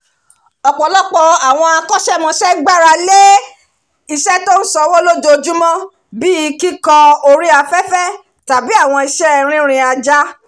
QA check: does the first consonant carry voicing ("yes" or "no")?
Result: no